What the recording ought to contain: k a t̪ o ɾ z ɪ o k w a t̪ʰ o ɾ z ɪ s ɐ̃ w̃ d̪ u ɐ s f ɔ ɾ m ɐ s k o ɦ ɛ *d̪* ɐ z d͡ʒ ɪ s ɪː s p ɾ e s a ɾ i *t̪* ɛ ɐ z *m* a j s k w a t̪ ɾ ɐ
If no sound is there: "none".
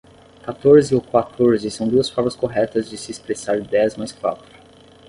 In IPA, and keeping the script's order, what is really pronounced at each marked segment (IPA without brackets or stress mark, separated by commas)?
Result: t̪, d̪, m